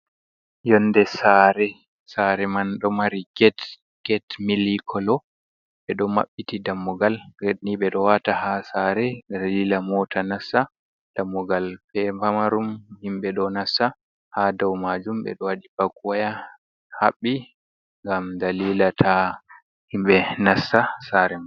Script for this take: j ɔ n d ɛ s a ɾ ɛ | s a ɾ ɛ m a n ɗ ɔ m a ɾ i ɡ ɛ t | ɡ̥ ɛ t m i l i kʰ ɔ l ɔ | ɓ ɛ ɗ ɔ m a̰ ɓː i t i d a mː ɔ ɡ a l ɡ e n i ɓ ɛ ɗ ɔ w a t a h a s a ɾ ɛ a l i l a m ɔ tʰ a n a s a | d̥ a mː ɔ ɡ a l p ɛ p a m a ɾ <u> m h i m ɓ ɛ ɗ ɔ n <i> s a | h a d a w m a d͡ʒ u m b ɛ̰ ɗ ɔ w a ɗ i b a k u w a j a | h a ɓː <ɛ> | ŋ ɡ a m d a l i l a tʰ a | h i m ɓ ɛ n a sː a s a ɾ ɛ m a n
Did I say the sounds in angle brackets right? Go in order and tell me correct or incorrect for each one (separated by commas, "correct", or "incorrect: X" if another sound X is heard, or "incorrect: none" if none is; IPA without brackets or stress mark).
correct, incorrect: a, incorrect: i